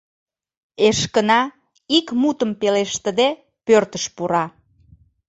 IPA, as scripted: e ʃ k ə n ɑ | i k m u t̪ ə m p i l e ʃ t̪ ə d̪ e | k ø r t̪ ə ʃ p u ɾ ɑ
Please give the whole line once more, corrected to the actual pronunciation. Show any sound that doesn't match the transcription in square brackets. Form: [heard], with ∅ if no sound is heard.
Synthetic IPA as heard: e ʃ k ə n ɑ | i k m u t̪ ə m p [e] l e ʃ t̪ ə d̪ e | [p] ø r t̪ ə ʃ p u ɾ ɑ